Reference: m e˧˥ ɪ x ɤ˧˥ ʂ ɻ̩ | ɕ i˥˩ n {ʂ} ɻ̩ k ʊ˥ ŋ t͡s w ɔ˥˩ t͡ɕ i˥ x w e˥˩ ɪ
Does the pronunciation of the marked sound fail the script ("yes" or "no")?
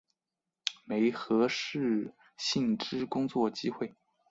yes